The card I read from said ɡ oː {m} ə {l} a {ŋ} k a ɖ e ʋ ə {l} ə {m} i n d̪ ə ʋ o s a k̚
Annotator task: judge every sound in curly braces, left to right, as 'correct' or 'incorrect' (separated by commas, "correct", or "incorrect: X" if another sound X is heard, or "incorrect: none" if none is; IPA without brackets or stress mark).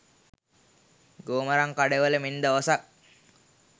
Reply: correct, incorrect: ɾ, correct, correct, correct